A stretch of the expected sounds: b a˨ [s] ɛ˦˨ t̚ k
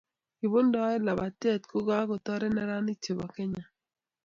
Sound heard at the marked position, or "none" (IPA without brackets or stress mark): t